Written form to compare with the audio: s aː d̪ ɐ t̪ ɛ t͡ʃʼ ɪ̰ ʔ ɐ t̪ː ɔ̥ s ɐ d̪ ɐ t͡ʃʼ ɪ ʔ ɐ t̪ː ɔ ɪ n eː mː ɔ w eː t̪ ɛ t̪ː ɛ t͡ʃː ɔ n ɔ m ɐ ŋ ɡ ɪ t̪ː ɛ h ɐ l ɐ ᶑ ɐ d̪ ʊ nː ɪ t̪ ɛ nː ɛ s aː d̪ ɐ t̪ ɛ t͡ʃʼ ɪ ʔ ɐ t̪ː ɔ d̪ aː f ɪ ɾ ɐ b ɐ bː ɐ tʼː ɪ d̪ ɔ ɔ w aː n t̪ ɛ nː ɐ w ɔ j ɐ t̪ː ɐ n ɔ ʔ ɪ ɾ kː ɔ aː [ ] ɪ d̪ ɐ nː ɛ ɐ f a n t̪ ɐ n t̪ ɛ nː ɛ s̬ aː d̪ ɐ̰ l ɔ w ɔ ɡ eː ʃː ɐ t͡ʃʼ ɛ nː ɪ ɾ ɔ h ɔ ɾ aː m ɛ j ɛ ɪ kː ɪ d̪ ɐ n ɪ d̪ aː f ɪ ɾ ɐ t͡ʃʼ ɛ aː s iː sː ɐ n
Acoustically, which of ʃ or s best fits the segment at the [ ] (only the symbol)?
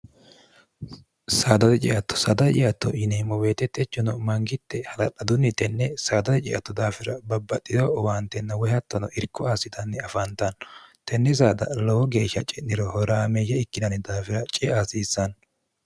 s